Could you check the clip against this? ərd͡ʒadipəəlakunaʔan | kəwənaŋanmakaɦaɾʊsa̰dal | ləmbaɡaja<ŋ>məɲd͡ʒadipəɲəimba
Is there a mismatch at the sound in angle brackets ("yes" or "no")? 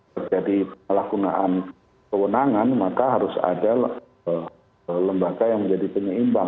no